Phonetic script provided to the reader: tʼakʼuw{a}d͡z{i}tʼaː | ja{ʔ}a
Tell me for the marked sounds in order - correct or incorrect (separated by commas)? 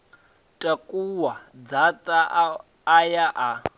correct, incorrect, correct